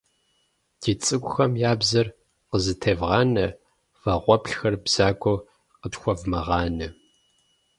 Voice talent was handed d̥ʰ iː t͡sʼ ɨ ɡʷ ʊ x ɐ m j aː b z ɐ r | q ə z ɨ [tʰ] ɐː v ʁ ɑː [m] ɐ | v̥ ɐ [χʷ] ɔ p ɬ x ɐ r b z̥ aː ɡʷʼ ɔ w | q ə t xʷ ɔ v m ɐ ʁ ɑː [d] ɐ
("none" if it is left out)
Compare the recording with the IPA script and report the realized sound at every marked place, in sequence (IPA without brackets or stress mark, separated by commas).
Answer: tʰ, n, ʁʷ, n